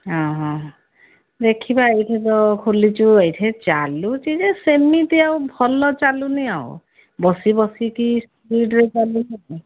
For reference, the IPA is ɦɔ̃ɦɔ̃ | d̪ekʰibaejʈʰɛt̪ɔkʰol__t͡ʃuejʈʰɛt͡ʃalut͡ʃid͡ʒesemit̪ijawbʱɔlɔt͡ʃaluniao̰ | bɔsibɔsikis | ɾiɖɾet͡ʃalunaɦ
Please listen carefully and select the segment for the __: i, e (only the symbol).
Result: i